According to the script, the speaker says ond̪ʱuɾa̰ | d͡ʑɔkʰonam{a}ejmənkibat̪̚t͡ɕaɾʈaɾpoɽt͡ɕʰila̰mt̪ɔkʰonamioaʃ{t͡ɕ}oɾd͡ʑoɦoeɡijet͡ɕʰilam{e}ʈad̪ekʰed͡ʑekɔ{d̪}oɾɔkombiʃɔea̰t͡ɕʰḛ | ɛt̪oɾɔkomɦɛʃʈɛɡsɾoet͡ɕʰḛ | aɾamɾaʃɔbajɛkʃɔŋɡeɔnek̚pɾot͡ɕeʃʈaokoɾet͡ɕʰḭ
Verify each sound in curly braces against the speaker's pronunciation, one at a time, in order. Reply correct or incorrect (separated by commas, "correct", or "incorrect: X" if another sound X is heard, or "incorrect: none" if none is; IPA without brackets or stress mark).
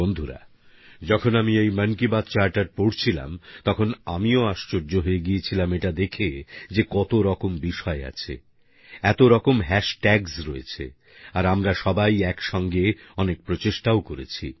incorrect: i, correct, correct, incorrect: t̪